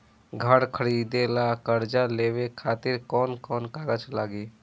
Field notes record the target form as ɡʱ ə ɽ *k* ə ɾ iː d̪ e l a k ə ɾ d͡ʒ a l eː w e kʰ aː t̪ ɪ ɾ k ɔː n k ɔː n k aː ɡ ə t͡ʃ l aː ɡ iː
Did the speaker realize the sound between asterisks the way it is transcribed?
no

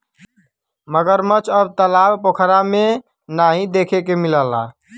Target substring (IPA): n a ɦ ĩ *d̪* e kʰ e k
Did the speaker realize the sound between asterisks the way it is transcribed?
yes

